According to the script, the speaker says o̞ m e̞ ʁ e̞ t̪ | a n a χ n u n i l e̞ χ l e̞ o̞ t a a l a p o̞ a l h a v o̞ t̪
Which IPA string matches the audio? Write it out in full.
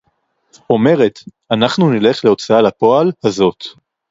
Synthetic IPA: o̞ m e̞ ʁ e̞ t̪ | a n a χ n u n i l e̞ χ l e̞ o̞ t͡s a a l a p o̞ a l h a z o̞ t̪

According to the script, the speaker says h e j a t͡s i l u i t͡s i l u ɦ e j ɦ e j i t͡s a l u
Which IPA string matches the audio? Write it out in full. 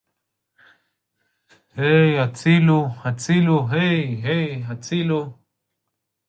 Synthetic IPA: h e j a t͡s i l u a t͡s i l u ɦ e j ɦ e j a t͡s i l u

